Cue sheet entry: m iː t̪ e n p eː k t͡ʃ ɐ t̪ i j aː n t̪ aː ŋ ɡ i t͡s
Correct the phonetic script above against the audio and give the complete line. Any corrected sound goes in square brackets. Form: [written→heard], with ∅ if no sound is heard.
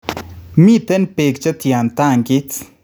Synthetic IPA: m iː t̪ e n p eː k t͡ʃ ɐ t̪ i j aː n t̪ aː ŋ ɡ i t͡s

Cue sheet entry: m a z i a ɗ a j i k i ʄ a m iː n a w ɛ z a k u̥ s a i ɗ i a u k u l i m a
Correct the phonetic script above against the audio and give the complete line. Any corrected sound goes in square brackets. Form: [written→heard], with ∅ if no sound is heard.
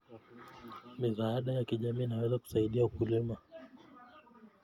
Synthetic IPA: m [a→i] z [i→a] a ɗ a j [i→a] k i ʄ a m iː n a w ɛ z a k u̥ s a i ɗ i a u k u l i m a

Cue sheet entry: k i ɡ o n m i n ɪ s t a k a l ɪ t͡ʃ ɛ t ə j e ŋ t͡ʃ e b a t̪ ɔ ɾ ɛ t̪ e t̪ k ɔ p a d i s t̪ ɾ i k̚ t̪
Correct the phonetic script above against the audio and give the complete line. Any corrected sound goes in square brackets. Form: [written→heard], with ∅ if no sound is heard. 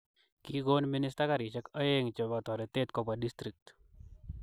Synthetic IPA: k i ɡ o n m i n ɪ s t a k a [l→ɾ] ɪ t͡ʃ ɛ [t→k] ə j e ŋ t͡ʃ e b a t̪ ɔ ɾ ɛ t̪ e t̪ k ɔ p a d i s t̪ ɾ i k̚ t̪

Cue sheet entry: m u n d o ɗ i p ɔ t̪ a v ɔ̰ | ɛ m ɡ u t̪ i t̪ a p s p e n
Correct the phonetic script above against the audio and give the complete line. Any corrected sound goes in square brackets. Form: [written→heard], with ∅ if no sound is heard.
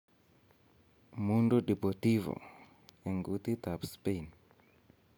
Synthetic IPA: m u n d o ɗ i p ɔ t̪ [a→i] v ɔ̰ | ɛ [m→ŋ] ɡ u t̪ i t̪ a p s p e n

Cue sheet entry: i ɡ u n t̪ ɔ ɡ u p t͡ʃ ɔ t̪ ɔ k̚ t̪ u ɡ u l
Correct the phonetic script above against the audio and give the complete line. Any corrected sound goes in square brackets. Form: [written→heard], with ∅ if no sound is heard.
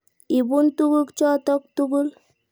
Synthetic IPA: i [ɡ→b] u n t̪ [ɔ→u] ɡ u [p→k] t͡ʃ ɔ t̪ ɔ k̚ t̪ u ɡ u l

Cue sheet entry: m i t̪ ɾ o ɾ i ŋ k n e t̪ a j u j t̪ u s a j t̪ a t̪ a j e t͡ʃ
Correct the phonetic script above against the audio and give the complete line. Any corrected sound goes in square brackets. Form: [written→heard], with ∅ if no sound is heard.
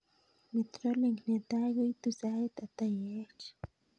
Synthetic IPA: m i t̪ ɾ o [ɾ→l] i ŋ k n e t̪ a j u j t̪ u s a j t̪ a t̪ a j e t͡ʃ

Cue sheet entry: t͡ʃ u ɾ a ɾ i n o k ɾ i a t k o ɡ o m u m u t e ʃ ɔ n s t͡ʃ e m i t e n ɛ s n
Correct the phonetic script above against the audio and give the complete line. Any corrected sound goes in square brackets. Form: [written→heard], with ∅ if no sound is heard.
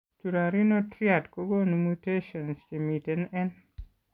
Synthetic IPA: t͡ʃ u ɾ a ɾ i n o [k→t] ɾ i a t k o ɡ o [m→n] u m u t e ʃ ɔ n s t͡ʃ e m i t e n ɛ [s→∅] n

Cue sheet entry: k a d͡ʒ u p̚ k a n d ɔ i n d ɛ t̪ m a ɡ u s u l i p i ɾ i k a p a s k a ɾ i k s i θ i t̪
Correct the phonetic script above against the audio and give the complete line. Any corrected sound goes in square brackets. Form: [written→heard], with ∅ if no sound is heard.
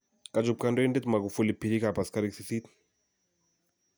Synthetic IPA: k a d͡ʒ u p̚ k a n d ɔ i n d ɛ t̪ m a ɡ u [s→f] u l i p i ɾ i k a p a s k a ɾ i k s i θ i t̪

